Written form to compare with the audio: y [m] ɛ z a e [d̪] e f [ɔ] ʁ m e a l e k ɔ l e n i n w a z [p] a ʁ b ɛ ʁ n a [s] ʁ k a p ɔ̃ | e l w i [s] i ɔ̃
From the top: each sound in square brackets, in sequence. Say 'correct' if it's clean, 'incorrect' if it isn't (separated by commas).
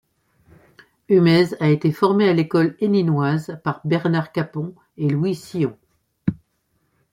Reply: correct, incorrect, correct, correct, incorrect, correct